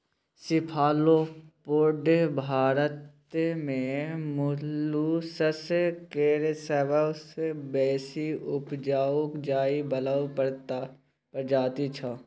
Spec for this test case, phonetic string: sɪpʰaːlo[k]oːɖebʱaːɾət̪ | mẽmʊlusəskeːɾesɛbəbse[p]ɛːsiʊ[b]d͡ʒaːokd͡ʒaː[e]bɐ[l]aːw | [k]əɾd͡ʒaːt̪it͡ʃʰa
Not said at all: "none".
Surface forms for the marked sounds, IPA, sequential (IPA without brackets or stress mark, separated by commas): p, b, p, i, l, p